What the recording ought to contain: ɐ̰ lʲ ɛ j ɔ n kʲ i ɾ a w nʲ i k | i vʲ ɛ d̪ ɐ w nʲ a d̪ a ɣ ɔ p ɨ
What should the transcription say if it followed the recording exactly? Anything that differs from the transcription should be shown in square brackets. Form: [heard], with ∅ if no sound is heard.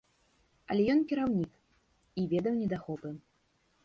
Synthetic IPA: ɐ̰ lʲ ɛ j ɔ n kʲ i ɾ a w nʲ i k | i vʲ ɛ d̪ ɐ w nʲ [ɛ] d̪ a [x] ɔ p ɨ